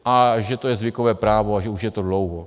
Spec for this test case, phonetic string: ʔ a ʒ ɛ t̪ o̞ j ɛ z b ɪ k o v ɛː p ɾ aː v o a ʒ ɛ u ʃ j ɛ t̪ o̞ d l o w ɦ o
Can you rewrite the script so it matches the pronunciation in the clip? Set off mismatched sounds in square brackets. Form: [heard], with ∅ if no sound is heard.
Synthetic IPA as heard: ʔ a ʒ ɛ t̪ o̞ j ɛ z [v] ɪ k o v ɛː p ɾ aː v o a ʒ ɛ u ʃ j ɛ t̪ o̞ d l o w ɦ o